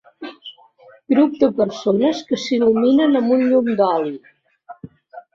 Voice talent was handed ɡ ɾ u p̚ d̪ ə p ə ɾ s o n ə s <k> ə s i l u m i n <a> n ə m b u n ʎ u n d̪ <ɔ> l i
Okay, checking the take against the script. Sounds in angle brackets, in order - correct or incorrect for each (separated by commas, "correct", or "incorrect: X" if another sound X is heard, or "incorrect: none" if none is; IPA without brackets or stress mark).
correct, incorrect: ə, correct